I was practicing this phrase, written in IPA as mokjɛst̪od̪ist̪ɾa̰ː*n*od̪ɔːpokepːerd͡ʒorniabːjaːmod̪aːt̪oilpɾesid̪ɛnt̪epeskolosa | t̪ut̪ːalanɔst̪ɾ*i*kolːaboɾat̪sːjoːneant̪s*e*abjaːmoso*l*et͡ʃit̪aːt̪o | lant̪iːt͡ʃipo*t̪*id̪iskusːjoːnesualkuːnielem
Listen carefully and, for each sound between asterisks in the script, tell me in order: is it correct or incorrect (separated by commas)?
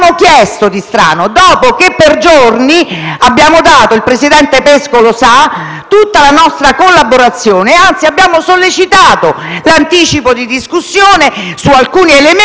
correct, incorrect, incorrect, incorrect, incorrect